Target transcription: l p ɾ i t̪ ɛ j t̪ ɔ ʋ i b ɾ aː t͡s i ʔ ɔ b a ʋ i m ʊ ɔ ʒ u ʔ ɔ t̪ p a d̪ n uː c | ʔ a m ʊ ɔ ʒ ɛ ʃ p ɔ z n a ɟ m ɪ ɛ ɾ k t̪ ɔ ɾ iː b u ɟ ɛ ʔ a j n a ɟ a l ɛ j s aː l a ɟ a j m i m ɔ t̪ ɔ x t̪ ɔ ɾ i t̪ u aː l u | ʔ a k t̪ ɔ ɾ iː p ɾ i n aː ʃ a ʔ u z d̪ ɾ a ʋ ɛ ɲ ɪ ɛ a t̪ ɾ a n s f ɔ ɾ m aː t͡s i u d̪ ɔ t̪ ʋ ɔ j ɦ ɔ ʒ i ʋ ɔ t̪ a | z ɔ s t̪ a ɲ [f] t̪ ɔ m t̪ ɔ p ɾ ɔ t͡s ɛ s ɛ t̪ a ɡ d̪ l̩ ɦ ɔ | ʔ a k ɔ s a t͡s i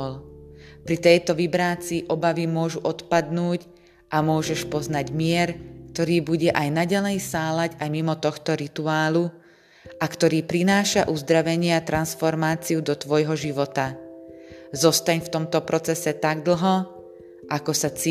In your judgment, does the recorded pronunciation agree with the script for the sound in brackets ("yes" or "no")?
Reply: yes